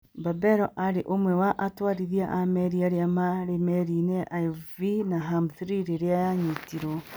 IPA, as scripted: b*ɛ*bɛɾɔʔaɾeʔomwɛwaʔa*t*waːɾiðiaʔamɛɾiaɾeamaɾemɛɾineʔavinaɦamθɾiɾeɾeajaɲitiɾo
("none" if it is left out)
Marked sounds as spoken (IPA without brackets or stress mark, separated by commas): a, t